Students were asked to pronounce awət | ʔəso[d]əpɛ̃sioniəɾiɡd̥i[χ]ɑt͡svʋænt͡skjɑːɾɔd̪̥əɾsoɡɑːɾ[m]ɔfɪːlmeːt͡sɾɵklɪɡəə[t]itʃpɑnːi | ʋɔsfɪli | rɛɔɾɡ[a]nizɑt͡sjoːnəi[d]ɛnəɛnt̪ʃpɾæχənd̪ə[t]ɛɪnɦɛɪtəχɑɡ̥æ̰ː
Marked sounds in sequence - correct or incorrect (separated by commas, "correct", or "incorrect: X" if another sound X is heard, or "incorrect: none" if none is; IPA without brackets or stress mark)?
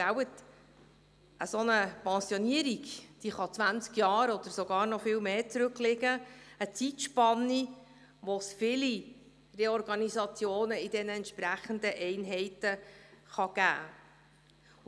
incorrect: n, correct, incorrect: n, incorrect: t͡s, incorrect: ɑ, correct, incorrect: ʔ